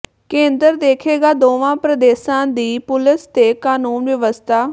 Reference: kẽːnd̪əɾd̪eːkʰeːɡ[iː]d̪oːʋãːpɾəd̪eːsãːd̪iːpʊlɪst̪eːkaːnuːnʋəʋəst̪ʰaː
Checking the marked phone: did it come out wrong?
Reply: yes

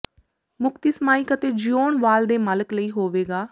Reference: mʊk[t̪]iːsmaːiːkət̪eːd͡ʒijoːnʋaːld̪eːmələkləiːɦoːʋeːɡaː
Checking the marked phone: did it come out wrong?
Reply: no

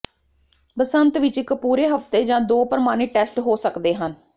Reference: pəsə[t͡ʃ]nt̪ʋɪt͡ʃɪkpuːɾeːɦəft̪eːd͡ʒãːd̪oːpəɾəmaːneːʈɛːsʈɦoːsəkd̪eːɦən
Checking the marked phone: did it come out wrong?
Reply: yes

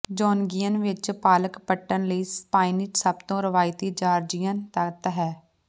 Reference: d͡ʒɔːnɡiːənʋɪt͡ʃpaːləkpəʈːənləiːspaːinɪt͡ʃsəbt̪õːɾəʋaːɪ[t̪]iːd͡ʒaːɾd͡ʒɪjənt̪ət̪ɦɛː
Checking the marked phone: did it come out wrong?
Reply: no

